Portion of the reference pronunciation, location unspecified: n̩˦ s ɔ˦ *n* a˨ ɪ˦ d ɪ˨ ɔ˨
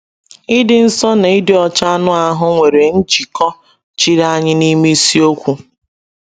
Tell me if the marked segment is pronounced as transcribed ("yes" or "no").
yes